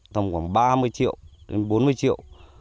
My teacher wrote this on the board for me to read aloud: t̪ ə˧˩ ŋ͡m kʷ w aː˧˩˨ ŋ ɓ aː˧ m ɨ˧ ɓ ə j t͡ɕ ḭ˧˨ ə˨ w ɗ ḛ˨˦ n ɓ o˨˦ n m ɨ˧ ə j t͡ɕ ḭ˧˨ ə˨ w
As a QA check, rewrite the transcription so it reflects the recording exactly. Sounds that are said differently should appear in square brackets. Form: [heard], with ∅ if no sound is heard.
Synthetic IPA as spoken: t̪ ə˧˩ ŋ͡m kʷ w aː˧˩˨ ŋ ɓ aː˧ m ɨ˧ [∅] ə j t͡ɕ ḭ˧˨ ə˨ w ɗ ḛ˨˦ n ɓ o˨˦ n m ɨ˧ ə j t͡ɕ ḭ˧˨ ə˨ w